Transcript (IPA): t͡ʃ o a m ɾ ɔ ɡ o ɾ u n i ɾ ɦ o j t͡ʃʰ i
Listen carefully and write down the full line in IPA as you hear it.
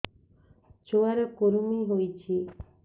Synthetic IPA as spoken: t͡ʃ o a ɾ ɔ k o ɾ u m i ɦ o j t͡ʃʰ i